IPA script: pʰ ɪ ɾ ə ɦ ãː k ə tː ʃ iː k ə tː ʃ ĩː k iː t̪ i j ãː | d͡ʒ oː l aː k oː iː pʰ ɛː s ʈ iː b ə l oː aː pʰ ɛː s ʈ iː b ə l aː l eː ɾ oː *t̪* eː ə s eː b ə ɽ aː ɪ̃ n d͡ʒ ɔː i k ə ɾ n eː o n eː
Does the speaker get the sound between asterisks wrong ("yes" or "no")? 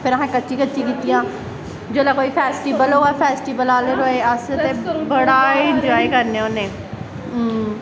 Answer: yes